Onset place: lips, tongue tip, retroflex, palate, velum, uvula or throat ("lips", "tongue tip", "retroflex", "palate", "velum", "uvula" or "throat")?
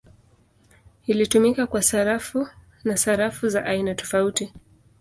tongue tip